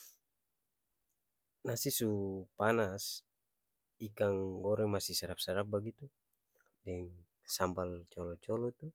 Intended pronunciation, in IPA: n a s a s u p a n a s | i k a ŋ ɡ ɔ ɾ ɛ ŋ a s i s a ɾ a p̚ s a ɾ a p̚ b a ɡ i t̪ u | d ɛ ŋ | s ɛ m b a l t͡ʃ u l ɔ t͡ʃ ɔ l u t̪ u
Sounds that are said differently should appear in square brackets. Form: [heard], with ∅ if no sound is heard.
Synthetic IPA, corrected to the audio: n a s [i] s u p a n a s | i k a ŋ ɡ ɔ ɾ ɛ [m] a s i s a ɾ a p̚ s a ɾ a p̚ b a ɡ i t̪ u | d ɛ ŋ | s [a] m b a l t͡ʃ [ɔ] l ɔ t͡ʃ ɔ l [ɔ] t̪ u

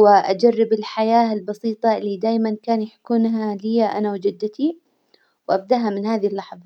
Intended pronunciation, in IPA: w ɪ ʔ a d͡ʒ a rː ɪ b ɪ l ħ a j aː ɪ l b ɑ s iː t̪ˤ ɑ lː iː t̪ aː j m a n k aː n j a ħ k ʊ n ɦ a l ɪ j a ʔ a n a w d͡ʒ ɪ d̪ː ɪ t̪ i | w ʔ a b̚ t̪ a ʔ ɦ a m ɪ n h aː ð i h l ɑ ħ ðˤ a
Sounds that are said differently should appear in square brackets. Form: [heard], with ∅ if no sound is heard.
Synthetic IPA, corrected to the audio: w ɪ ʔ a d͡ʒ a rː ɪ b ɪ l ħ a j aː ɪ l b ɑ s iː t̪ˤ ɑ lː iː [d̪] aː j m a n k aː n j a ħ k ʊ n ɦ a l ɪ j a ʔ a n a w d͡ʒ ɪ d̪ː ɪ t̪ i | w ʔ a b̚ [d̪] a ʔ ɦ a m ɪ n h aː ð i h [lː] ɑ ħ ðˤ [ɑ]

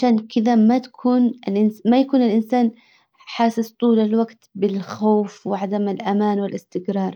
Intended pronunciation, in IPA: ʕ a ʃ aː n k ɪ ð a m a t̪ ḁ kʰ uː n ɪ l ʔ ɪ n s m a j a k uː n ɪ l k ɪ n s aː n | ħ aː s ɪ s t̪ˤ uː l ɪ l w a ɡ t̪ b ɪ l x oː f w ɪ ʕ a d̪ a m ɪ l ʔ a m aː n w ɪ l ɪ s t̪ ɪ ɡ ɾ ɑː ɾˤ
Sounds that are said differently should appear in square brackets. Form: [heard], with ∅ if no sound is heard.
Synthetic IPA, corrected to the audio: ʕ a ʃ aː n k ɪ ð a m a t̪ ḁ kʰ uː n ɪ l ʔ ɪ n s m a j a k uː n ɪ l [ʔ] ɪ n s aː n | ħ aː s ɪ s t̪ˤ uː l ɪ l w a ɡ t̪ b ɪ l x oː f w ɪ ʕ a d̪ a m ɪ l ʔ a m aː n w ɪ l ɪ s t̪ ɪ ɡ ɾ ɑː ɾˤ

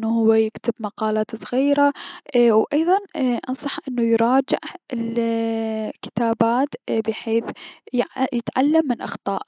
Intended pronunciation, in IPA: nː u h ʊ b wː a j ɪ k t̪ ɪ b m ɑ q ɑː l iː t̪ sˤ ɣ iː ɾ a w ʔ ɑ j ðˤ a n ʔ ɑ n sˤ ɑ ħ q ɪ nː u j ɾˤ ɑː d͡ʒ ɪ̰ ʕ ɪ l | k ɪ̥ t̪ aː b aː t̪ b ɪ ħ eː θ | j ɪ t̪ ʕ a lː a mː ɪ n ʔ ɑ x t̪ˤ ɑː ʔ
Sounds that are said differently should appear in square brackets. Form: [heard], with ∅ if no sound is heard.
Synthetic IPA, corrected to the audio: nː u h ʊ [∅] wː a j ɪ k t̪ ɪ b m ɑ q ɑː l [aː] t̪ sˤ ɣ iː ɾ a w ʔ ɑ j ðˤ [ɑ] n ʔ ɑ n sˤ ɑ ħ [ʔ] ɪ nː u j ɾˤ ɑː d͡ʒ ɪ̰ ʕ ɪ l | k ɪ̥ t̪ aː b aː t̪ b ɪ ħ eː θ | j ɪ t̪ ʕ a lː a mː ɪ n ʔ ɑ x t̪ˤ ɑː ʔ

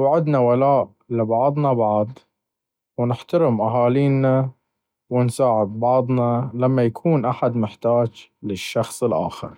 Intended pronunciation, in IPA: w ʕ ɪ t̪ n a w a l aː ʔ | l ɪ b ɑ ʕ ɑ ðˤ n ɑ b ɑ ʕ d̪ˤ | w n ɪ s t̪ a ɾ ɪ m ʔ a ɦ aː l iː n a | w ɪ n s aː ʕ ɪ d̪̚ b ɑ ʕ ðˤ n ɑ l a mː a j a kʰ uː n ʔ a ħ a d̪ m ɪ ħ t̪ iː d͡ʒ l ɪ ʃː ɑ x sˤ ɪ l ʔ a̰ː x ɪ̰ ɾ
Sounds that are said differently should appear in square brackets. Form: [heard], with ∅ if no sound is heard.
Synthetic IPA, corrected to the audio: w ʕ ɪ [d̪] n a w a l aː ʔ | l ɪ b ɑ ʕ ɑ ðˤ n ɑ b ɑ ʕ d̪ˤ | w n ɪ [ħ] t̪ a ɾ ɪ m ʔ a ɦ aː l iː n a | w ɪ n s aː ʕ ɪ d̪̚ b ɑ ʕ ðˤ n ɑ l a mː a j a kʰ uː n ʔ a ħ a d̪ m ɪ ħ t̪ [aː] d͡ʒ l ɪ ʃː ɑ x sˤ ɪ l ʔ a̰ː x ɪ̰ ɾ

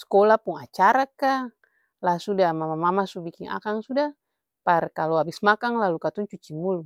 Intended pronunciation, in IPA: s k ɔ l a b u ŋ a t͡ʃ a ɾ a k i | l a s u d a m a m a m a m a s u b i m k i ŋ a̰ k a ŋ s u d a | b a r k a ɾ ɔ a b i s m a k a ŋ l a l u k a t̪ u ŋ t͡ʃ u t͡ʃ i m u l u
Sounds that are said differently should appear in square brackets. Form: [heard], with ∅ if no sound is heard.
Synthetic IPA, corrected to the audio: s k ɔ l a [p] u ŋ a t͡ʃ a ɾ a k [a] | l a s u d a m a m a m a m a s u b i [∅] k i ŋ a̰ k a ŋ s u d a | [p] a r k a [l] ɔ a b i s m a k a ŋ l a l u k a t̪ u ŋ t͡ʃ u t͡ʃ i m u l u

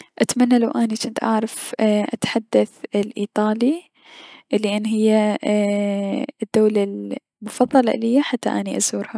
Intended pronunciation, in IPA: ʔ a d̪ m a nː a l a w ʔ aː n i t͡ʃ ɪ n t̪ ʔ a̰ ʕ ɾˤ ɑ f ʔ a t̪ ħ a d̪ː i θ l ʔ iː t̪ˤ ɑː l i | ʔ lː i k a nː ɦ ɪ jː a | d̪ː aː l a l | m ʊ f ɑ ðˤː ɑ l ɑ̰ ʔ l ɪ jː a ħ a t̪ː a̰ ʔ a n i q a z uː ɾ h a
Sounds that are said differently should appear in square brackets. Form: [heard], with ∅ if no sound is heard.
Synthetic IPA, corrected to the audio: ʔ a [t̪] m a nː a l a w ʔ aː n i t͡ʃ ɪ n t̪ ʔ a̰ ʕ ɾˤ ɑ f ʔ a t̪ ħ a d̪ː [a] θ l ʔ iː t̪ˤ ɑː l i | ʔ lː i [ʔ] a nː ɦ ɪ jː a | d̪ː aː l a l | m ʊ f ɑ ðˤː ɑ l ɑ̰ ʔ l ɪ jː a ħ a t̪ː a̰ ʔ a n i [ʔ] a z uː ɾ h a

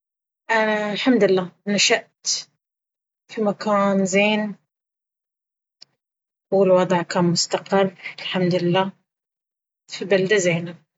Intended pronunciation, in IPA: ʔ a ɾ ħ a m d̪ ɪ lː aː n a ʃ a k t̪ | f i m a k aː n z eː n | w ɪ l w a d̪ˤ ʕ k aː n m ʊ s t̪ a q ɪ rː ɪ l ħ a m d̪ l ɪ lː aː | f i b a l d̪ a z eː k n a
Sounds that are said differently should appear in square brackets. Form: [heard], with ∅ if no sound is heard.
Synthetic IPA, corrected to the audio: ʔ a [l] ħ a m d̪ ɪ lː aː n a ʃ a [ʔ] t̪ | f i m a k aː n z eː n | w ɪ l w [ɑ] d̪ˤ ʕ k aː n m ʊ s t̪ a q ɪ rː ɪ l ħ a m d̪ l ɪ lː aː | f i b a l d̪ a z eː [∅] n a

